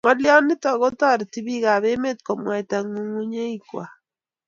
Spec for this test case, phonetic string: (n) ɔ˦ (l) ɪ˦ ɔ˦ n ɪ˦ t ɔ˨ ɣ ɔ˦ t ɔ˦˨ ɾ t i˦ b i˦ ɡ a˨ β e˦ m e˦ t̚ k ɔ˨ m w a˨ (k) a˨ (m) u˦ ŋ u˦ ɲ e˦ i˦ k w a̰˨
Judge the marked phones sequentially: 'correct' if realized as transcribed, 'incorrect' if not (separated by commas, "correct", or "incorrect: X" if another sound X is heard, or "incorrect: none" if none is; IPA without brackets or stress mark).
incorrect: ŋ, correct, incorrect: t, incorrect: ŋ